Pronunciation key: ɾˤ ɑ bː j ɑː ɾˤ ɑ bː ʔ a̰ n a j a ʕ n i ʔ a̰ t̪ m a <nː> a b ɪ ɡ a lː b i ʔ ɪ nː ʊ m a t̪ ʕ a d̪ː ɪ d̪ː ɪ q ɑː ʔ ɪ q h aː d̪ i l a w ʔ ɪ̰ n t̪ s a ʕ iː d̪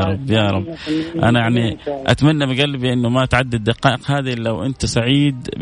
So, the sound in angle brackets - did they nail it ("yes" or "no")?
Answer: yes